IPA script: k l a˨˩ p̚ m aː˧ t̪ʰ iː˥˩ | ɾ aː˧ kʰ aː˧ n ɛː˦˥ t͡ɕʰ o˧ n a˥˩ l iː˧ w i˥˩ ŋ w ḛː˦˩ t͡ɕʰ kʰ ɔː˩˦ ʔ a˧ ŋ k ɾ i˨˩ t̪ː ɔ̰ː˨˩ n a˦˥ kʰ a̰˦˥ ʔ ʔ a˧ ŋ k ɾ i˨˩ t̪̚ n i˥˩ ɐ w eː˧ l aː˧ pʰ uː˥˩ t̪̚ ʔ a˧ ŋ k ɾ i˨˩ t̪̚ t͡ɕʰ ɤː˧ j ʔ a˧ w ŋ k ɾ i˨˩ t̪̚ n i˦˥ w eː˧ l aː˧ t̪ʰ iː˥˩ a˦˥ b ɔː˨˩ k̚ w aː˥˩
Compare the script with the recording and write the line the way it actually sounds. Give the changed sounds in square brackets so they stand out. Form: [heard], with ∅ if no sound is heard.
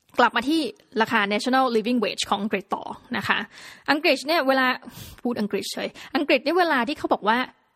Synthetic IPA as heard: k l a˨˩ p̚ m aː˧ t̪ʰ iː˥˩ | ɾ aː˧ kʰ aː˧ n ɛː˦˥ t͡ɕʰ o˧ n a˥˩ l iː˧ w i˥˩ ŋ w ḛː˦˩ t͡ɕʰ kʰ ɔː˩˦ ʔ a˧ ŋ k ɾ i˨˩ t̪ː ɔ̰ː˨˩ n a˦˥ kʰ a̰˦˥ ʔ ʔ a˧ ŋ k ɾ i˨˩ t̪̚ n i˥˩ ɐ w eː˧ l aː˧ pʰ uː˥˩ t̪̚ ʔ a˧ ŋ k ɾ i˨˩ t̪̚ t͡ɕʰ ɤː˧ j ʔ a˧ [∅] ŋ k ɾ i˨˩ t̪̚ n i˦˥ w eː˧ l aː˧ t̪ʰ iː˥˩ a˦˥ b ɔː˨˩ k̚ w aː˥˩